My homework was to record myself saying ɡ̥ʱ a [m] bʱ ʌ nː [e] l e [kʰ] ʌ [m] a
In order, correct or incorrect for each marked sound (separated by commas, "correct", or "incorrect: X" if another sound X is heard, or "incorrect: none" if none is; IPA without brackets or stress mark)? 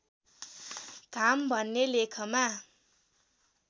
correct, correct, correct, correct